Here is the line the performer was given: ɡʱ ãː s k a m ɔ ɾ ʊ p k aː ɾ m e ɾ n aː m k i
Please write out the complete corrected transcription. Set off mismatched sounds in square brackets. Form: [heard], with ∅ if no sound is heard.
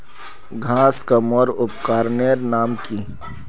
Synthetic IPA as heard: ɡʱ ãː s k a m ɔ ɾ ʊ p k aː ɾ [n] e ɾ n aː m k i